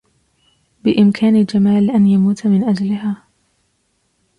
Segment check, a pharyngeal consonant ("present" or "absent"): absent